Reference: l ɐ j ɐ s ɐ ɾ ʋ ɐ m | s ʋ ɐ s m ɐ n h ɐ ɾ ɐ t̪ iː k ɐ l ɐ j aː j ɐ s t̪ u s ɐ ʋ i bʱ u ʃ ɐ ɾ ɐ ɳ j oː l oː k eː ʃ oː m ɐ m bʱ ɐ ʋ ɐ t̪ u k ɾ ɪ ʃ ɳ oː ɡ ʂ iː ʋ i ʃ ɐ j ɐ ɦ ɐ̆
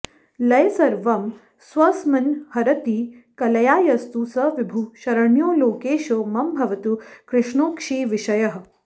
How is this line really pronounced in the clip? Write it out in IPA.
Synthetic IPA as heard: l ɐ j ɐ s ɐ ɾ ʋ ɐ m | s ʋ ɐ s m ɐ n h ɐ ɾ ɐ t̪ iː k ɐ l ɐ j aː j ɐ s t̪ u s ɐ ʋ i bʱ u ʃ ɐ ɾ ɐ ɳ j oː l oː k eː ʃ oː m ɐ m bʱ ɐ ʋ ɐ t̪ u k ɾ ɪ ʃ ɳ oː k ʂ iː ʋ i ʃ ɐ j ɐ ɦ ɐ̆